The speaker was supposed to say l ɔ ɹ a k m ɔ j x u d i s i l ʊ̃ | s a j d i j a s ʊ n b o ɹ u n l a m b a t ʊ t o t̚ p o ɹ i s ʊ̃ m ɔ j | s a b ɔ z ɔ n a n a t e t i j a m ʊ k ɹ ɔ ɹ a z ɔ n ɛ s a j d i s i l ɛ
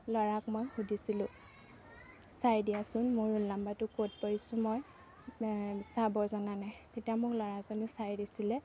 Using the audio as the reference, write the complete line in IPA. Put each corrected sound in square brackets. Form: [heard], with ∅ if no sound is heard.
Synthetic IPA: l ɔ ɹ a k m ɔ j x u d i s i l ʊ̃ | s a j d i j a s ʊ n [m] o ɹ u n l a m b a t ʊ [k] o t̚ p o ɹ i s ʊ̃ m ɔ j | s a b ɔ z ɔ n a n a t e t i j a m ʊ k [l] ɔ ɹ a z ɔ n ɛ s a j d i s i l ɛ